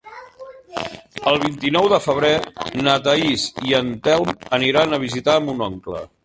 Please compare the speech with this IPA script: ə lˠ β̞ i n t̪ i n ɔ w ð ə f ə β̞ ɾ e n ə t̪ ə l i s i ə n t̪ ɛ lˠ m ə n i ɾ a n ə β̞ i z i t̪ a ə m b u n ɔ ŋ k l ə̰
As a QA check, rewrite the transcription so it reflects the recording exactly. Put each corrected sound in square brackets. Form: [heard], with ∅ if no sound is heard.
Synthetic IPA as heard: ə lˠ β̞ i n t̪ i n ɔ w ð ə f ə β̞ ɾ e n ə t̪ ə [∅] i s i ə n t̪ ɛ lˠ m ə n i ɾ a n ə β̞ i z i t̪ a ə m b u n ɔ ŋ k l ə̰